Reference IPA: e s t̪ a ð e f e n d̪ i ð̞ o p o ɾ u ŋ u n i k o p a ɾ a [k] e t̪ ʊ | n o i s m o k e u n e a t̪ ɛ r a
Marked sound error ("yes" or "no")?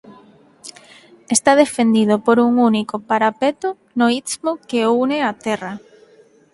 yes